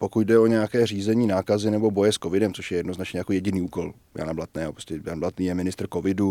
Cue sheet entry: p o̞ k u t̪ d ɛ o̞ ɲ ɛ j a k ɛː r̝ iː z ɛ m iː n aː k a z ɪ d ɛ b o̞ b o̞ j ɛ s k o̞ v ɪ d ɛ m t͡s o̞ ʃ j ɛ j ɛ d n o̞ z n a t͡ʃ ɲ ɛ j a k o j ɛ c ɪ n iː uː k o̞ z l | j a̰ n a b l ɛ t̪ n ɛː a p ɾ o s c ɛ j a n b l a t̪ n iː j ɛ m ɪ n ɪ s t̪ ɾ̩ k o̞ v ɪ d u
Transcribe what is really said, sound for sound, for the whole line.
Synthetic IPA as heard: p o̞ k u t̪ d ɛ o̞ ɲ ɛ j a k ɛː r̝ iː z ɛ ɲ iː n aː k a z ɪ n ɛ b o̞ b o̞ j ɛ s k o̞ v ɪ d ɛ m t͡s o̞ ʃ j ɛ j ɛ d n o̞ z n a t͡ʃ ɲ ɛ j a k o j ɛ ɟ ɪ n iː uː k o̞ l | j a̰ n a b l a t̪ n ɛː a p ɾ o s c ɛ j a n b l a t̪ n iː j ɛ m ɪ n ɪ s t̪ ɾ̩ k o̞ v ɪ d u